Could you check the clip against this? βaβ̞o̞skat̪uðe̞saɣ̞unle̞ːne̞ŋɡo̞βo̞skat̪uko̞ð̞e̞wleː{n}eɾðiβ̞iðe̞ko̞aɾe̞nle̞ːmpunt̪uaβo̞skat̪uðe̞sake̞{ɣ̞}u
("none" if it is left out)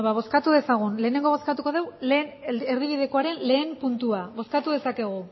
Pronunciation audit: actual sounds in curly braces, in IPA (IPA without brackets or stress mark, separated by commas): n, ɣ̞